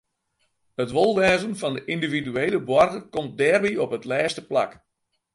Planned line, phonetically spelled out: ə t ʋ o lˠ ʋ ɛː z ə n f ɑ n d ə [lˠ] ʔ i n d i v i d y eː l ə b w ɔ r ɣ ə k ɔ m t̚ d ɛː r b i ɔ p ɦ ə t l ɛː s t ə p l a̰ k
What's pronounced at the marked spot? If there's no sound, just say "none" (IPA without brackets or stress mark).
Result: none